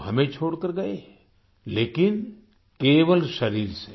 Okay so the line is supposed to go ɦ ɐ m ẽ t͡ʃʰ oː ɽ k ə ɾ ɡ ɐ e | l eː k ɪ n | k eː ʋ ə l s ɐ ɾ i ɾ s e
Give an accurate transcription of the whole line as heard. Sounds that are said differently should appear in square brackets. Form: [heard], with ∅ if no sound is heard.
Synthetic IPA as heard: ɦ ɐ m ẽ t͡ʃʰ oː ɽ k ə ɾ ɡ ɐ e | l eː k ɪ n | k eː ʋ ə l [ʃ] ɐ ɾ [iː] ɾ s e